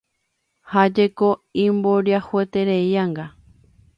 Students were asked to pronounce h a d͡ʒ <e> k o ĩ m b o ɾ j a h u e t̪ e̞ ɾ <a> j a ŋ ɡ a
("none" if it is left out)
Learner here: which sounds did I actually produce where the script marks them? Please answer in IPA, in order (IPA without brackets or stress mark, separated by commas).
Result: e, e